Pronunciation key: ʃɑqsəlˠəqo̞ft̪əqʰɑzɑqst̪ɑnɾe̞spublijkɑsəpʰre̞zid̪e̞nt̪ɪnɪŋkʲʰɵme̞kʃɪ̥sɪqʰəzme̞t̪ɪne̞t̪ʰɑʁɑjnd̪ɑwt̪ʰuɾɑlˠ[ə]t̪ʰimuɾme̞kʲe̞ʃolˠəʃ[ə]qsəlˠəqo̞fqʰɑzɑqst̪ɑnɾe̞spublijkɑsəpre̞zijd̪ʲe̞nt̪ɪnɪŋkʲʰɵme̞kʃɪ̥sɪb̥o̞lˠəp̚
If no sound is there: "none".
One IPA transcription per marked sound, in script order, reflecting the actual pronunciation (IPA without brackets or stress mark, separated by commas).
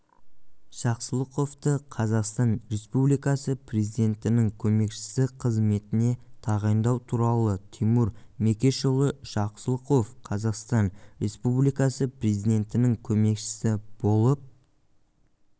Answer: ə, ɑ